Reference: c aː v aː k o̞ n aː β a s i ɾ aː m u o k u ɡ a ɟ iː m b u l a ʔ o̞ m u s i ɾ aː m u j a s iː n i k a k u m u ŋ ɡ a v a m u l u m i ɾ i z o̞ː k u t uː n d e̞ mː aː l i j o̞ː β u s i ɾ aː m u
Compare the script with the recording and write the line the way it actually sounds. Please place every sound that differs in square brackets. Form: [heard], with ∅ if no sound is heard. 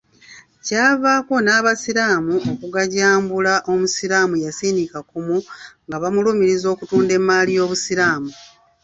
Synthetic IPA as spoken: c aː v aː k o̞ n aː β a s i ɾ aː m u o k u ɡ a ɟ [aː] m b u l a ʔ o̞ m u s i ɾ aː m u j a s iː n i k a k u m u ŋ ɡ a [β] a m u l u m i ɾ i z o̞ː k u t uː n d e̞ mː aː l i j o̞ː β u s i ɾ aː m u